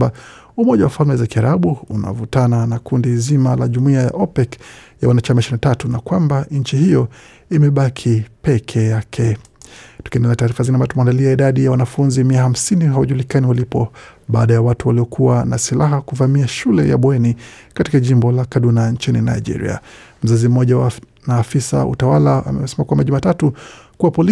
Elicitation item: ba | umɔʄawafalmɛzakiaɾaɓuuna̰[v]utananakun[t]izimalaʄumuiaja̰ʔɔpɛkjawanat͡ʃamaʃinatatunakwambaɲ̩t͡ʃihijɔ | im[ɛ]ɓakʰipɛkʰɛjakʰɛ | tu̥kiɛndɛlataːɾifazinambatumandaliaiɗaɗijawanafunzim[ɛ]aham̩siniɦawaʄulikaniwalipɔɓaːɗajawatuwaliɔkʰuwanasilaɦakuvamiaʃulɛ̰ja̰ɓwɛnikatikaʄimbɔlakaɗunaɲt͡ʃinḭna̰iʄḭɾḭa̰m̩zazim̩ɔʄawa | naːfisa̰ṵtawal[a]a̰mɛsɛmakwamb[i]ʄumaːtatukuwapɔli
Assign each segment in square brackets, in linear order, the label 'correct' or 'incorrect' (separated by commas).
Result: correct, incorrect, correct, incorrect, correct, incorrect